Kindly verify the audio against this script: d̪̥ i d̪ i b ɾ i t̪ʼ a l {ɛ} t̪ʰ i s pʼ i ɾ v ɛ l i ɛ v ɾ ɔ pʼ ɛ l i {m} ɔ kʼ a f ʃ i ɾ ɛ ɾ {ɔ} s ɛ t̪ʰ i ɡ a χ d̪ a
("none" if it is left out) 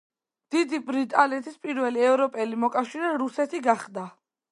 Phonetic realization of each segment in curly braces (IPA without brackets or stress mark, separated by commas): ɛ, m, u